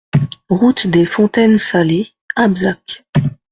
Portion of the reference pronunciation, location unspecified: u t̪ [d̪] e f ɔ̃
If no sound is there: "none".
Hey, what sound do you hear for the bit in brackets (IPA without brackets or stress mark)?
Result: d̪